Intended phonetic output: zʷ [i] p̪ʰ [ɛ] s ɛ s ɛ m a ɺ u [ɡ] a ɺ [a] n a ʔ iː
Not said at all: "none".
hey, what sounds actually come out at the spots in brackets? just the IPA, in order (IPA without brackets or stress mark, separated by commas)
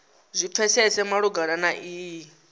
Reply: i, ɛ, ɡ, a